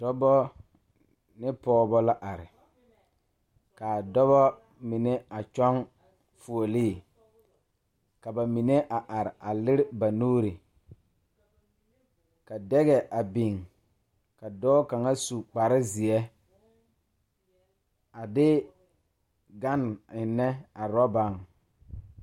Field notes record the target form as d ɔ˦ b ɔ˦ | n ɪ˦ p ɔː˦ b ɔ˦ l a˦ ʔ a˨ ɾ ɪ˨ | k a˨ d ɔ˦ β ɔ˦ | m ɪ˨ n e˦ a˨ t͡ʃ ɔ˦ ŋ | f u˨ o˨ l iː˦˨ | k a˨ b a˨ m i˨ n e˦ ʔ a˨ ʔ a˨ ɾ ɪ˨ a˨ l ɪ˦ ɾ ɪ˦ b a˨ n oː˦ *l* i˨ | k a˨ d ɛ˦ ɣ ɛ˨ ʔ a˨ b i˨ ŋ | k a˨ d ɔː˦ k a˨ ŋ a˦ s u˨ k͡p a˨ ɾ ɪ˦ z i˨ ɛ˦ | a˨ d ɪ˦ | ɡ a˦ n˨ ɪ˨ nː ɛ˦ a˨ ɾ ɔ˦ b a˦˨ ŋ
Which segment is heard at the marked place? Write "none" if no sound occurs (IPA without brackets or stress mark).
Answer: ɾ